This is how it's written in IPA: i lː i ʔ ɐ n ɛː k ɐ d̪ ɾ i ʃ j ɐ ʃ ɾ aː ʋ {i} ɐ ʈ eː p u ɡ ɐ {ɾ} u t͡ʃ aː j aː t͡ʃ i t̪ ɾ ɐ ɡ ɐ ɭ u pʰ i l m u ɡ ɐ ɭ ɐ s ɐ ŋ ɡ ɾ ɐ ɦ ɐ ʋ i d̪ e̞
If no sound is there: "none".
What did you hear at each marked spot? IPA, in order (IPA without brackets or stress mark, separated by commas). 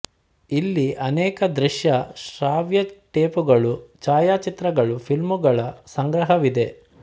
j, ɭ